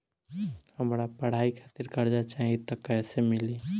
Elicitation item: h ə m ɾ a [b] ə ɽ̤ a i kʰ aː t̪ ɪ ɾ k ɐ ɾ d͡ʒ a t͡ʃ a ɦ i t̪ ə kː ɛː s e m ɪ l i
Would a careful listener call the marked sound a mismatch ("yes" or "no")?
yes